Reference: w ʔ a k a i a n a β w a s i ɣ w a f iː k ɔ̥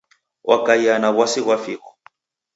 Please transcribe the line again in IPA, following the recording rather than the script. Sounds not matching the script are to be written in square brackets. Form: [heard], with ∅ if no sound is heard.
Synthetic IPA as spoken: w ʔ a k a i a n a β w a s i ɣ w a f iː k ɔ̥